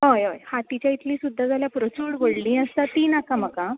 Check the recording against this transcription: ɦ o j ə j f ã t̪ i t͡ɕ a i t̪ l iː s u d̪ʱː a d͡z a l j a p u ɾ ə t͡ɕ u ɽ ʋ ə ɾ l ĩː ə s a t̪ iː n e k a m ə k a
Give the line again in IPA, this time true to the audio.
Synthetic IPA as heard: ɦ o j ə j h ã t̪ i t͡ɕ a i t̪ l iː s u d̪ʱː a d͡z a l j a p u ɾ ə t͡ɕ u ɽ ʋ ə ɽ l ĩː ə s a t̪ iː n a k a m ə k a